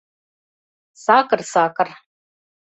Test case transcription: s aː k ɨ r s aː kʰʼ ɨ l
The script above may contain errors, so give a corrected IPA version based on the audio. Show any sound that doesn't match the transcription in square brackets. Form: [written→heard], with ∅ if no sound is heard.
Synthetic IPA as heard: s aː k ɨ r s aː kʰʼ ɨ [l→r]